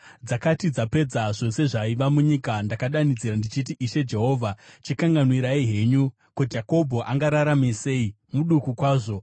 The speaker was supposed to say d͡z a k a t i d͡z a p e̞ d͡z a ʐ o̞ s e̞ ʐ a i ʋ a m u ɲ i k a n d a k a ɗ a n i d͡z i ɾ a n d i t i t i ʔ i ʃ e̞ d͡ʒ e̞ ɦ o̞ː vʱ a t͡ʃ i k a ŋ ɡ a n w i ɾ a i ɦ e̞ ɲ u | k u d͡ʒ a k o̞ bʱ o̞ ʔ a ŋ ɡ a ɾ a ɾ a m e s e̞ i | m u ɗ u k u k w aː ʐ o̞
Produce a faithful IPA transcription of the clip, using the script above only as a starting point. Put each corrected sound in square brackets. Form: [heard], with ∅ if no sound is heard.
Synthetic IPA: d͡z a k a t i d͡z a p e̞ d͡z a ʐ o̞ s e̞ ʐ a i ʋ a m u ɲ i k a n d a k a ɗ a n i d͡z i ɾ a n d i [t͡ʃ] i t i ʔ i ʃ e̞ d͡ʒ e̞ ɦ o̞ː vʱ a t͡ʃ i k a ŋ ɡ a n w i ɾ a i ɦ e̞ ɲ u | k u d͡ʒ a k o̞ bʱ o̞ ʔ a ŋ ɡ a ɾ a ɾ a m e s e̞ i | m u ɗ u k u k w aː ʐ o̞